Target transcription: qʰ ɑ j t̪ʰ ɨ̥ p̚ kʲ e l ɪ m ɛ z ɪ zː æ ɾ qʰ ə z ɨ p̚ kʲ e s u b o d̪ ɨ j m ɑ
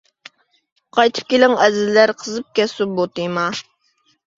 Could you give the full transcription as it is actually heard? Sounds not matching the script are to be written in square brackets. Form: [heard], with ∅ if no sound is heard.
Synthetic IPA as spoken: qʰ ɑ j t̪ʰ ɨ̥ p̚ kʲ e l ɪ [ŋ] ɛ z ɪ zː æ ɾ qʰ ə z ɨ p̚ kʲ [ɛ] s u b o [t̪] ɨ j m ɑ